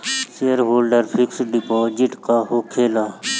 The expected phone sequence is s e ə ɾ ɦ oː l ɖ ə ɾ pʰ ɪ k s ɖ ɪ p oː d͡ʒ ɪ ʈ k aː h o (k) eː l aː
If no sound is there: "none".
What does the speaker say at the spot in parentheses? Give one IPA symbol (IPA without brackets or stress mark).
kʰ